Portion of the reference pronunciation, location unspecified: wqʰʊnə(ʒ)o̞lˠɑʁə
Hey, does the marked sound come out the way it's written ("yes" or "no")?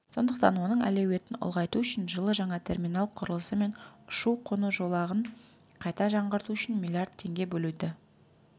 yes